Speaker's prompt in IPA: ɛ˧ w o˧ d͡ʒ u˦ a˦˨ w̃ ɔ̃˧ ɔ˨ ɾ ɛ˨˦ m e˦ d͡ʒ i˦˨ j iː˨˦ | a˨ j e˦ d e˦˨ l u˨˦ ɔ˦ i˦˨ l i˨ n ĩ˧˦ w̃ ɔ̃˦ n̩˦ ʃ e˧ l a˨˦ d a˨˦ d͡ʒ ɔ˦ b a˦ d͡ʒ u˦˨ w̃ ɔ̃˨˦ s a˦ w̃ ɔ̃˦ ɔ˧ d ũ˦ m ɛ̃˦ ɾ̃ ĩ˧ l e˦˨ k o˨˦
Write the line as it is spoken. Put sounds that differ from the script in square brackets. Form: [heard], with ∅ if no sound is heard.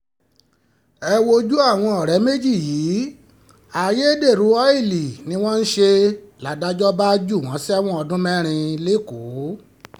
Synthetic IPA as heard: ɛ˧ w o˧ d͡ʒ u˦ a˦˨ w̃ ɔ̃˧ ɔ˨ ɾ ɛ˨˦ m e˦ d͡ʒ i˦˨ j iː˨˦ | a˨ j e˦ d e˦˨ [ɾ] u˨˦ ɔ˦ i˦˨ l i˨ n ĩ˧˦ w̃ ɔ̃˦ n̩˦ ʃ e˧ l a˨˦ d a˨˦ d͡ʒ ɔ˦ b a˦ d͡ʒ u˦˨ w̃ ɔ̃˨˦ s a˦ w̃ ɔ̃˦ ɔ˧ d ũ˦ m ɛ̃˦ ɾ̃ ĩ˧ l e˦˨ k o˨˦